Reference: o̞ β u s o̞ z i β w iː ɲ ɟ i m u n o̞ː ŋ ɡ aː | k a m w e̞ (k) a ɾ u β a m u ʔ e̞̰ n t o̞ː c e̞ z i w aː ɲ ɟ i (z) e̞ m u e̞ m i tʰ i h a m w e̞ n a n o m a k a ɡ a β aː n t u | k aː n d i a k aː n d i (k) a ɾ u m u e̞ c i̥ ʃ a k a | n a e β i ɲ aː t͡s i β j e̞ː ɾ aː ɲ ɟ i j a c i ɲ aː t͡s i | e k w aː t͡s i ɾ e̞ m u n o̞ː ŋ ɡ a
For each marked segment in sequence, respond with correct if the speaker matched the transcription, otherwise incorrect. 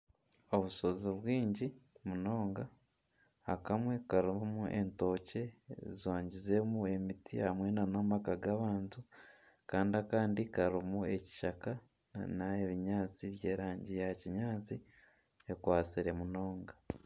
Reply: correct, correct, correct

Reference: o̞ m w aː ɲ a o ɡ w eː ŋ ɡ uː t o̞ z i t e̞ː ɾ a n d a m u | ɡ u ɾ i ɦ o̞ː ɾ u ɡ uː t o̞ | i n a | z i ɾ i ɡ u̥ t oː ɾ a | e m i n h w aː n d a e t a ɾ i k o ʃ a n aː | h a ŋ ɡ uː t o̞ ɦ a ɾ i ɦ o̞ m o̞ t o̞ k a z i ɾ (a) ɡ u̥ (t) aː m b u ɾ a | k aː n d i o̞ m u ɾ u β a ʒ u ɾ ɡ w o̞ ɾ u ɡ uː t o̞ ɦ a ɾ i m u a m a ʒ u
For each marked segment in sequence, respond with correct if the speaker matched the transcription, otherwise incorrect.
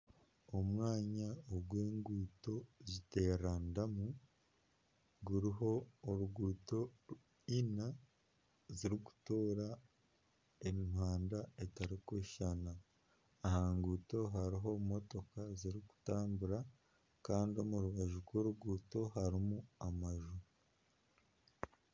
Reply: incorrect: i, correct

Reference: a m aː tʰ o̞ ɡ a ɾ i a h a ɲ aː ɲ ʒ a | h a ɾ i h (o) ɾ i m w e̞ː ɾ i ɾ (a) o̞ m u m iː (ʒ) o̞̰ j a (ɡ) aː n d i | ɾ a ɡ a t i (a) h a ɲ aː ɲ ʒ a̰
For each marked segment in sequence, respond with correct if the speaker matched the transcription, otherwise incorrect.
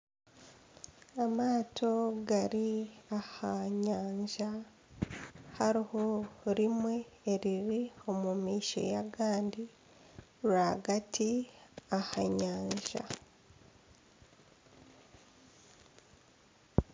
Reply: correct, incorrect: i, incorrect: ʃ, correct, correct

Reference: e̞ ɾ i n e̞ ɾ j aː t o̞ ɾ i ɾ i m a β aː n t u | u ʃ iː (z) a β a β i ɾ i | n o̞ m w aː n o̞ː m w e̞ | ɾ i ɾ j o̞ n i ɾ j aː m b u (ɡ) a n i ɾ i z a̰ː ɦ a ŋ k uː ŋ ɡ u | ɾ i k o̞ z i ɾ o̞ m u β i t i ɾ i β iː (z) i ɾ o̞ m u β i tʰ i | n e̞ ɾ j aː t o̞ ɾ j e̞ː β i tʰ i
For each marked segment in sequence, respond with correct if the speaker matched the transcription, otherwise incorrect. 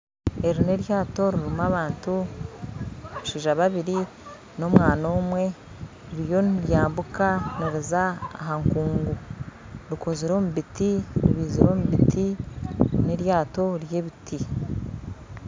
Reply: incorrect: ʒ, incorrect: k, correct

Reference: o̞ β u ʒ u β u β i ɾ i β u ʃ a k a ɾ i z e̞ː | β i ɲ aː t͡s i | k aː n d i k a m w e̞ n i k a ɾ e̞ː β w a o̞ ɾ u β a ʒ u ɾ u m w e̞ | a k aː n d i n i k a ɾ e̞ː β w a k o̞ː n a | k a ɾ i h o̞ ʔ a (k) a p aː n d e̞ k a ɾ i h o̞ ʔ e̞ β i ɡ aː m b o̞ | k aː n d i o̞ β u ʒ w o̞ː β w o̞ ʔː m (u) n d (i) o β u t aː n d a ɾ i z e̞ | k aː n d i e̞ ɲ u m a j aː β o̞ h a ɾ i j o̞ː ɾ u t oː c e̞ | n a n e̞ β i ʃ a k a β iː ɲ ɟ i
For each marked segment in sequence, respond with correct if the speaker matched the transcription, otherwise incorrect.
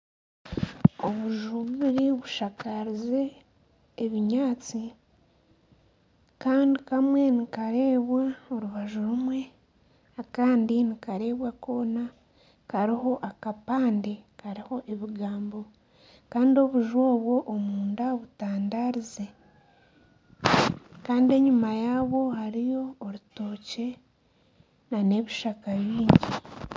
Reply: correct, incorrect: uː, incorrect: a

